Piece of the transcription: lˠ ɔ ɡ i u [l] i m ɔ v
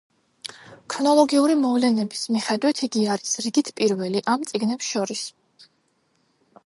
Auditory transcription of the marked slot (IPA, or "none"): ɾ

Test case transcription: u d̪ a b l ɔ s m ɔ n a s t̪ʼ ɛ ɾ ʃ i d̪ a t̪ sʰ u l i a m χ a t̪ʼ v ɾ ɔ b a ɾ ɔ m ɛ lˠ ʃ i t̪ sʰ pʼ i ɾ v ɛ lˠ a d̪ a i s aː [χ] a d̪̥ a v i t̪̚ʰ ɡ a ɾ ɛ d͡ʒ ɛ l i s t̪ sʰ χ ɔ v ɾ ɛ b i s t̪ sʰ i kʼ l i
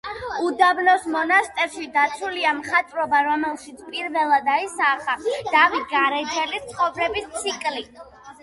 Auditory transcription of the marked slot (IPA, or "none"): χ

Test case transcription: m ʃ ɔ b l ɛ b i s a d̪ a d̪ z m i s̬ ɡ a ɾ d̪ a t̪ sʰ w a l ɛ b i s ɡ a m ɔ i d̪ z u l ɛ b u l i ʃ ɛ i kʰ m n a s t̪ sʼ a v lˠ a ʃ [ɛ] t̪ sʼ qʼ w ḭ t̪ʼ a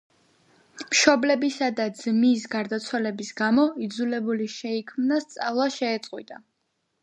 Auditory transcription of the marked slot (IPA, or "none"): ɛː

